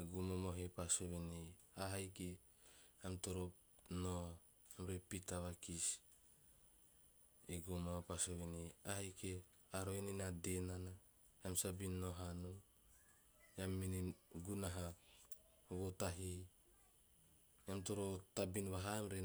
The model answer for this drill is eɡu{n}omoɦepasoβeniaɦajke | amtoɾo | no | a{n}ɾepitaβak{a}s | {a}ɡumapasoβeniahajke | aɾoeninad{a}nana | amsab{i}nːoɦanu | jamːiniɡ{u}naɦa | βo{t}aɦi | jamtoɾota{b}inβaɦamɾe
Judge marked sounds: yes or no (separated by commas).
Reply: no, no, no, no, no, yes, yes, yes, yes